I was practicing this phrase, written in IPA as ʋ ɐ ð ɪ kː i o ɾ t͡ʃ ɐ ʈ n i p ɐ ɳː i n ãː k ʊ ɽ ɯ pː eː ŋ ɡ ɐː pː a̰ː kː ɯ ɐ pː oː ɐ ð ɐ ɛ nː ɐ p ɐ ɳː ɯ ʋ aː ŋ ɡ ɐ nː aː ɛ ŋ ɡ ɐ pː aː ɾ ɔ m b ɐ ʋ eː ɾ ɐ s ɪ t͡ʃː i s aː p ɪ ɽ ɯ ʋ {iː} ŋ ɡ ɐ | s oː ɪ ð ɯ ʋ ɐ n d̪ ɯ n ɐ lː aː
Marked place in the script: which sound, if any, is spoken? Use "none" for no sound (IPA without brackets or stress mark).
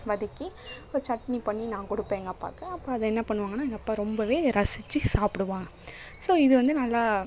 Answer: aː